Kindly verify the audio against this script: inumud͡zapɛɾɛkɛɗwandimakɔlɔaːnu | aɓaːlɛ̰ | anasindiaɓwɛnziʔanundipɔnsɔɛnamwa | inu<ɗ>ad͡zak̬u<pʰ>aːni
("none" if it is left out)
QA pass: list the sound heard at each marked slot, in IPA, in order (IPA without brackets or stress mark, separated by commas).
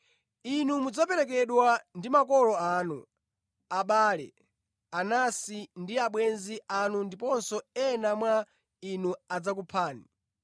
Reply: none, pʰ